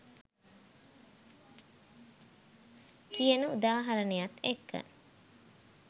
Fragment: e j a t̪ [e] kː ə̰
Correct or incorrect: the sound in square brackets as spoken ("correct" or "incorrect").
correct